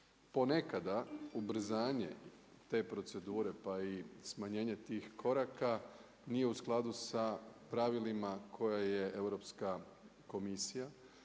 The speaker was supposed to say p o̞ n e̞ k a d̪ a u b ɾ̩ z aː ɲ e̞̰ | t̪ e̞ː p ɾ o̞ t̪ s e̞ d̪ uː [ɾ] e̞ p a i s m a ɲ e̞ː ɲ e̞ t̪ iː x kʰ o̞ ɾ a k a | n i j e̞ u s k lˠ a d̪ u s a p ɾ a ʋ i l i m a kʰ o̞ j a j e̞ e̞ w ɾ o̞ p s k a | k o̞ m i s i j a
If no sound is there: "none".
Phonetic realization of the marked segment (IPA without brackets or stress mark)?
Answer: ɾ